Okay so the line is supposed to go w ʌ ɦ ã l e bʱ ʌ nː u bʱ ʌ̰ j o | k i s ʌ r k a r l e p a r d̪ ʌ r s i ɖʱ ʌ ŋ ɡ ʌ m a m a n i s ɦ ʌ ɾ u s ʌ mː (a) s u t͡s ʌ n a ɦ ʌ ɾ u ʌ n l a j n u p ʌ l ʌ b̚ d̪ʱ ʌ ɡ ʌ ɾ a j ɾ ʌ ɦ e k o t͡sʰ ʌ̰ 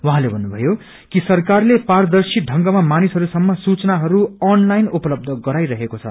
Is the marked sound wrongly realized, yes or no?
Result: yes